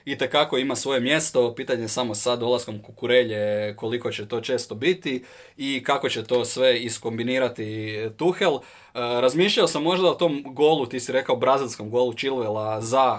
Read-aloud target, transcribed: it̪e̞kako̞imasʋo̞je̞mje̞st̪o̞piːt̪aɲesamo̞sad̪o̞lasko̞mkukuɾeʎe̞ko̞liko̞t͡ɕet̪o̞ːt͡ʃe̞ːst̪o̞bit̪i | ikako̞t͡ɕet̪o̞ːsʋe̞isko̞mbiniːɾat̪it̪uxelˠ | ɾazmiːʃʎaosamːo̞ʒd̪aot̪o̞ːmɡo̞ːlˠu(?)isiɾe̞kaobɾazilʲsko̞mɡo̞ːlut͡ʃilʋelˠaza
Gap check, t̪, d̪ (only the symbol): t̪